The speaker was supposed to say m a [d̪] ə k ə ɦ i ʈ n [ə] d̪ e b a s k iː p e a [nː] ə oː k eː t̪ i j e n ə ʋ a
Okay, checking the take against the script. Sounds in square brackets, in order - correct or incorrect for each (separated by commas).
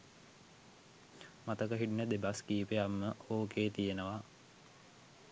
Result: incorrect, correct, incorrect